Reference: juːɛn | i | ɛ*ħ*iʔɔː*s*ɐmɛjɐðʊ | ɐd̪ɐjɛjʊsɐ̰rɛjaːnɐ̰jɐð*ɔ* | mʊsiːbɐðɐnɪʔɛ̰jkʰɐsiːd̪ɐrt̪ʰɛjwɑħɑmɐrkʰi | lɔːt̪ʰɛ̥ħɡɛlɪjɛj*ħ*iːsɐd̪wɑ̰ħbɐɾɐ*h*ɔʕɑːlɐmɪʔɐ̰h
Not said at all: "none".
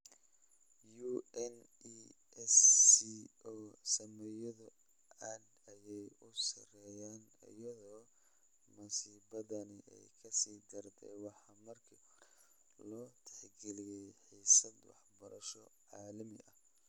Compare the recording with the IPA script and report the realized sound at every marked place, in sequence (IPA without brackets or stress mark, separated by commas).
s, s, ɔː, ħ, ʃ